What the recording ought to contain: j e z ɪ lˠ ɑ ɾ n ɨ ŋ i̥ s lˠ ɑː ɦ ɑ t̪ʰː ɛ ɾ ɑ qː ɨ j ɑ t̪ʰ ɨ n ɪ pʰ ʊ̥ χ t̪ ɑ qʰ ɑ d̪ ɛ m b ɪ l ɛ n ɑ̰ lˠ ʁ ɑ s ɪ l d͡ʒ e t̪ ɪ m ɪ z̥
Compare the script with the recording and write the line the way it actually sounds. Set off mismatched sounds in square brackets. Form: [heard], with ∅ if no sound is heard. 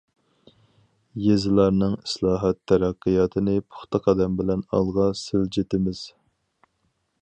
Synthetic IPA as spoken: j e z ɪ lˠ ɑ ɾ n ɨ ŋ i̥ s lˠ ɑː ɦ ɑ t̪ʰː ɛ ɾ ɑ qː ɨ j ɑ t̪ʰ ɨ n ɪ pʰ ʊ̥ χ t̪ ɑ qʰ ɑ d̪ ɛ m b ɪ l ɛ n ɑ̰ lˠ ʁ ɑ s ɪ l d͡ʒ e t̪ ɪ m ɪ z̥